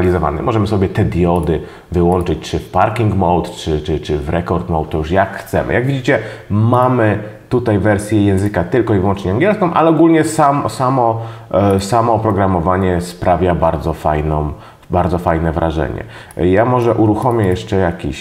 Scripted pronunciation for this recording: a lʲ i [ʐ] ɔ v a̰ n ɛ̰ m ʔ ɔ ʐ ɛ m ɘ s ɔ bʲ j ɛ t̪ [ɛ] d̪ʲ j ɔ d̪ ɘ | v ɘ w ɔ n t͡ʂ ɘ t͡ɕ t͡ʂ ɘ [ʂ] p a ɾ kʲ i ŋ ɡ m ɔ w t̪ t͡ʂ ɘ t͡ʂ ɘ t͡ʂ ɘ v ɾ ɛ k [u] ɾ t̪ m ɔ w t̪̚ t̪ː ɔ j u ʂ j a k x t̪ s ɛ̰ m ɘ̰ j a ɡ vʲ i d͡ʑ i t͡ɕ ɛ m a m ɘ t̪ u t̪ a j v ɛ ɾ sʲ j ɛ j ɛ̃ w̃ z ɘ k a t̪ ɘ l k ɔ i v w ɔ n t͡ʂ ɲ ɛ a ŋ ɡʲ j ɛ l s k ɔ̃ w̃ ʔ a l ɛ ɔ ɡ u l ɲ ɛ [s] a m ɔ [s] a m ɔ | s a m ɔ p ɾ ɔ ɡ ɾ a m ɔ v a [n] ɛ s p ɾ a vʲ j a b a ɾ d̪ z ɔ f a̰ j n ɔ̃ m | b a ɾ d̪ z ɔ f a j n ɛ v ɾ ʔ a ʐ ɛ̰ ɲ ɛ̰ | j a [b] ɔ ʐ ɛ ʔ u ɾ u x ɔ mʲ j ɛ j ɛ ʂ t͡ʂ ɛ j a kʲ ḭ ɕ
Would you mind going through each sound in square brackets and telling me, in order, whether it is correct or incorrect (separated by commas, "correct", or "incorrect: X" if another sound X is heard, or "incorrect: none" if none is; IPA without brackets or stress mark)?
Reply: incorrect: z, correct, incorrect: f, incorrect: ɔ, correct, correct, incorrect: ɲ, incorrect: m